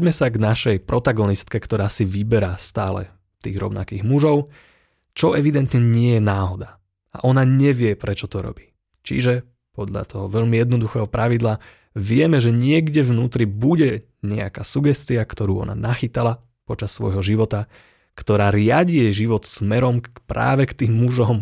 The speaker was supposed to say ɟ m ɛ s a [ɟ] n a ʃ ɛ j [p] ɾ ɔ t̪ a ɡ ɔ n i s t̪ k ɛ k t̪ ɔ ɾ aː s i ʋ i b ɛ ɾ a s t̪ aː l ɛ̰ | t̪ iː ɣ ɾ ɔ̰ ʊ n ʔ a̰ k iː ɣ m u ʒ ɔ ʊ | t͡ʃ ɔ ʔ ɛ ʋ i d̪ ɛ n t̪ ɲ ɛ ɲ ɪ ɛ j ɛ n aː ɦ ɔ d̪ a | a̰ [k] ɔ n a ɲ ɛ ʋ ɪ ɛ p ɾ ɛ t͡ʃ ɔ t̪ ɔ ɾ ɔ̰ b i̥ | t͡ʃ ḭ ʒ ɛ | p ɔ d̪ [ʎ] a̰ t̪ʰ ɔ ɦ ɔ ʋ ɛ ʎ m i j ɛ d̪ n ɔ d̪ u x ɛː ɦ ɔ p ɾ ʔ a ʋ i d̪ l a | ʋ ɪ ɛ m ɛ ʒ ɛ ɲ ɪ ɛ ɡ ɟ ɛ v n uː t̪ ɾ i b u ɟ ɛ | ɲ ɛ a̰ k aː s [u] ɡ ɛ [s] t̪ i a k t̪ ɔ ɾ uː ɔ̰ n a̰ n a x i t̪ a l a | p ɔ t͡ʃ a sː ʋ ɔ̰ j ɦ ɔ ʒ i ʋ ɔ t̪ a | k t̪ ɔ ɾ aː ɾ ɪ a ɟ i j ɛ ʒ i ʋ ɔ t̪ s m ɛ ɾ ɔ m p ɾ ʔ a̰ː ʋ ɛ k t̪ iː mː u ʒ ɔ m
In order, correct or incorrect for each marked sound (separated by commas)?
incorrect, correct, incorrect, correct, correct, correct